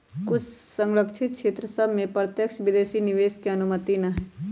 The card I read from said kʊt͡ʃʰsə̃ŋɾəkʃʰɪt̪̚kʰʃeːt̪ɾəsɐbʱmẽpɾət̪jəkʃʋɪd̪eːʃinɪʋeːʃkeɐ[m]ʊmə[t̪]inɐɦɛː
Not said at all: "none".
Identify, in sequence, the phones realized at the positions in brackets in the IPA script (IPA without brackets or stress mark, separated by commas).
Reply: n, t̪